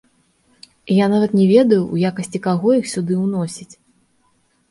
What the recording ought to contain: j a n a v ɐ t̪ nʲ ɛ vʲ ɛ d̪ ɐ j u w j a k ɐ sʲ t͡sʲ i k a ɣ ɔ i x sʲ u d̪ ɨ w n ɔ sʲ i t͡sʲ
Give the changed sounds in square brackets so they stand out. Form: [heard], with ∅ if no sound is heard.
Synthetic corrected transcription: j a n a v ɐ t̪ nʲ ɛ vʲ ɛ d̪ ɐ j u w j a k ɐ sʲ t͡sʲ i k a ɣ ɔ i x sʲ u d̪ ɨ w n ɔ sʲ i t͡sʲ